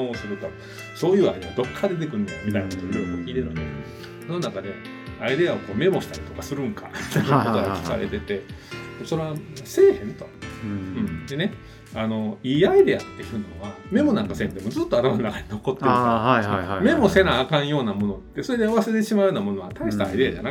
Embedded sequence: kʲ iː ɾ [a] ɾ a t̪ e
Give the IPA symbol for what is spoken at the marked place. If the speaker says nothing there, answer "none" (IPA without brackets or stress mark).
e